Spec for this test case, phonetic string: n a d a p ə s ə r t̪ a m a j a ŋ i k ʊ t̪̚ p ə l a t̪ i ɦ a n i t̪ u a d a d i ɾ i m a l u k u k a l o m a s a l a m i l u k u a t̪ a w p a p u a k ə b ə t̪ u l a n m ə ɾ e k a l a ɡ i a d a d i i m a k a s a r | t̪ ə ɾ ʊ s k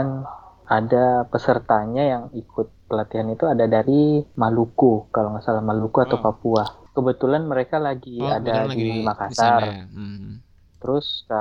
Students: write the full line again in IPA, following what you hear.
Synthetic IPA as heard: n a d a p ə s ə r t̪ a ɲ a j a ŋ i k ʊ t̪̚ p ə l a t̪ i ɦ a n i t̪ u a d a d a ɾ i m a l u k u k a l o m a s a l a m a l u k u a t̪ a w p a p u a k ə b ə t̪ u l a n m ə ɾ e k a l a ɡ i a d a d i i m a k a s a r | t̪ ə ɾ ʊ s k